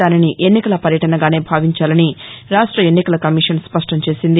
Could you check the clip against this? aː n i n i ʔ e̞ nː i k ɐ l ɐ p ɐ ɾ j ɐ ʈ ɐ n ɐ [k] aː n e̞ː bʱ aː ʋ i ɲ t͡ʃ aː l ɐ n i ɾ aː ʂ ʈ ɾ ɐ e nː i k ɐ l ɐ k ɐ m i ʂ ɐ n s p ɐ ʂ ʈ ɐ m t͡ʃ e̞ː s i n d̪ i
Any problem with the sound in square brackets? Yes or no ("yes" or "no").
yes